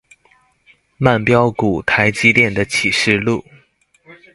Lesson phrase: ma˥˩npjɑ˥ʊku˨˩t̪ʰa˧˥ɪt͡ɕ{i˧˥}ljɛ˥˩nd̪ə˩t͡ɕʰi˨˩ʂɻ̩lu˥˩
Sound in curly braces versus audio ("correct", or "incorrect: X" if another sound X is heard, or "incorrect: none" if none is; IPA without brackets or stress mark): incorrect: i˥